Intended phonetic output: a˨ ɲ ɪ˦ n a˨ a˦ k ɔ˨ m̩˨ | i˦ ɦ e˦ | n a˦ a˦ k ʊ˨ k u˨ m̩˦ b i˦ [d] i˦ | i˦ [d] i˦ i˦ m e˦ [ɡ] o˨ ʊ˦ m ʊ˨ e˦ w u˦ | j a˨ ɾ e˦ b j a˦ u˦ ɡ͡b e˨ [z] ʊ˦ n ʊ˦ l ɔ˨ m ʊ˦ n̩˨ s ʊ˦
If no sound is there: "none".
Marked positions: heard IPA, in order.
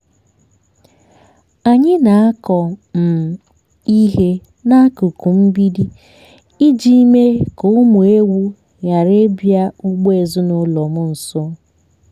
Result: d, d͡ʒ, k, z

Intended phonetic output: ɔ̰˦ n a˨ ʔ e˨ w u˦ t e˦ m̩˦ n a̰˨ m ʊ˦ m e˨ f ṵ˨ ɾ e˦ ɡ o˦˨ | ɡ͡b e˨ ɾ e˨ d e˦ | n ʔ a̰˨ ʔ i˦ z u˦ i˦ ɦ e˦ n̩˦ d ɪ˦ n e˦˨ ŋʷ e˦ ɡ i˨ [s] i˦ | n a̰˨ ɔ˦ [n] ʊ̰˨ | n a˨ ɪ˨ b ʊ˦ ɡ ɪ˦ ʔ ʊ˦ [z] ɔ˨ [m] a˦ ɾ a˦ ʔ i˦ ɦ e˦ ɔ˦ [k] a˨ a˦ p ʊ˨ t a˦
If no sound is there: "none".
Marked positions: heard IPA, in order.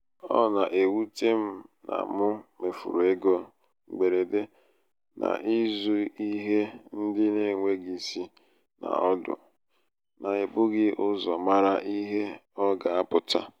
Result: s, d, z, m, ɡ

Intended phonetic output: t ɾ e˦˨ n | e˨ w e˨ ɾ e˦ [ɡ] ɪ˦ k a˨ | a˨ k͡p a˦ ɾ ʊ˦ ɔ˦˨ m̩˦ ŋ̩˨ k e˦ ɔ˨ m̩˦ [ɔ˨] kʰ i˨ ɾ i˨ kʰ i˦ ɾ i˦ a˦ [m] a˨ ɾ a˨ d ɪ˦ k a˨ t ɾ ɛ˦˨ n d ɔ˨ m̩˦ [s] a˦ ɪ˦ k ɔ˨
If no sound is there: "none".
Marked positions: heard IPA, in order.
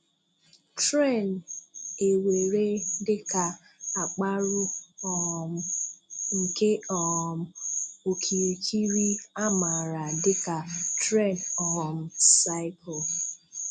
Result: d, o˨, m, s

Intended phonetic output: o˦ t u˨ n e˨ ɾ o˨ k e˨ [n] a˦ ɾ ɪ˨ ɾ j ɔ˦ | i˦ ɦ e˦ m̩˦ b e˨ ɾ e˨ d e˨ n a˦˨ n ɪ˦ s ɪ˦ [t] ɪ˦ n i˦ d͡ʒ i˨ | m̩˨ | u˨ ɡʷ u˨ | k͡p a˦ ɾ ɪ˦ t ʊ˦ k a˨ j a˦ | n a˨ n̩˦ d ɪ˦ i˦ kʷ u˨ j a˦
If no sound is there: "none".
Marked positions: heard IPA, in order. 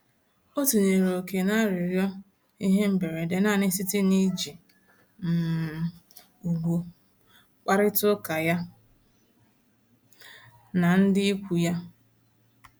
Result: n, t

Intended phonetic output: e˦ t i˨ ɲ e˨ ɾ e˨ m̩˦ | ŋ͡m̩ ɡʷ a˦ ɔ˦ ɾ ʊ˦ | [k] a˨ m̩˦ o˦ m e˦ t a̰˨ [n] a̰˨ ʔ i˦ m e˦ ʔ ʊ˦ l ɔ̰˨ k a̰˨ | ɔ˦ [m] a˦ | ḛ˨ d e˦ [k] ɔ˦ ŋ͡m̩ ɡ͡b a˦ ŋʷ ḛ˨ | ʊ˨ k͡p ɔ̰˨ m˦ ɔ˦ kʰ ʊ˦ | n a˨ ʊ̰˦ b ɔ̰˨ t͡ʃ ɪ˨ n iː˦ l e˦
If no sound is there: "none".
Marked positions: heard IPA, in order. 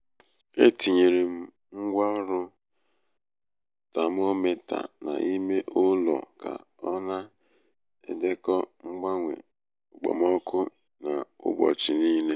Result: t, n, n, k

